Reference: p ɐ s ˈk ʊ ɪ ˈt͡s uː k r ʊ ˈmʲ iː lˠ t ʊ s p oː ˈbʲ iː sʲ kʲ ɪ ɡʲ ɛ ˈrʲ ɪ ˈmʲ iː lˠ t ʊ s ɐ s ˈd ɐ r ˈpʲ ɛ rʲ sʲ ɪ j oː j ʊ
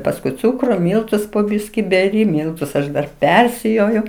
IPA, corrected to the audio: p ɐ s ˈk ʊ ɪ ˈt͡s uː k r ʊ ˈmʲ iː lˠ t ʊ s p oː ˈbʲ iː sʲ kʲ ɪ bʲ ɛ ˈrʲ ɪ ˈmʲ iː lˠ t ʊ s ɐ ʃ ˈd ɐ r ˈpʲ ɛ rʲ sʲ ɪ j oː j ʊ